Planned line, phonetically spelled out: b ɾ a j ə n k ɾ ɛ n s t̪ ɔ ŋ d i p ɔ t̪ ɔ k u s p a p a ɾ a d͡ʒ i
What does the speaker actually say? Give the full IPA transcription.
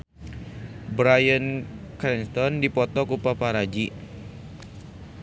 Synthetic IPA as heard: b ɾ a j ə n k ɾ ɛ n s t̪ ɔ n d i p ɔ t̪ ɔ k u p a p a ɾ a d͡ʒ i